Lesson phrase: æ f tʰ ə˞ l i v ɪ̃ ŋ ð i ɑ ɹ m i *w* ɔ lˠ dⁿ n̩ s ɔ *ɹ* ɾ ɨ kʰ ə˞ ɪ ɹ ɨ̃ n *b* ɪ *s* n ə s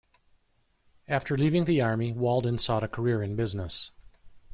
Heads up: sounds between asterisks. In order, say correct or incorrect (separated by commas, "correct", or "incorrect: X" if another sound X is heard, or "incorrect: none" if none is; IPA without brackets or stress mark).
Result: correct, incorrect: none, correct, incorrect: z